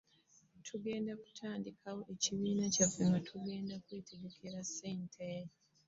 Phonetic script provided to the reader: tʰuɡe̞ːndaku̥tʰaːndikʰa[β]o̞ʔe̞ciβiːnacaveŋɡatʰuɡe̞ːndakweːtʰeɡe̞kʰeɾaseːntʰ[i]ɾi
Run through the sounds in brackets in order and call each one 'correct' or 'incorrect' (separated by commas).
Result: incorrect, incorrect